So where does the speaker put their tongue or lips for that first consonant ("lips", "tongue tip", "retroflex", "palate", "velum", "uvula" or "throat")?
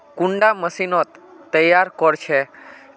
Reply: velum